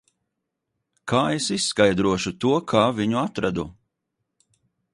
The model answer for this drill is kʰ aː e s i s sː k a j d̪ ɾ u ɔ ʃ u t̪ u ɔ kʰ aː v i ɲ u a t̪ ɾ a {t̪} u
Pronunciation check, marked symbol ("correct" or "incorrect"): incorrect